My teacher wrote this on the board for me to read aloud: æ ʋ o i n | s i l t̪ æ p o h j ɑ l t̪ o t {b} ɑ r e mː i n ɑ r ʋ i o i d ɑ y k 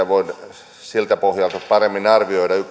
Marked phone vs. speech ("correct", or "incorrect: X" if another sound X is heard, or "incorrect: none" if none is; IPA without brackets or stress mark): incorrect: p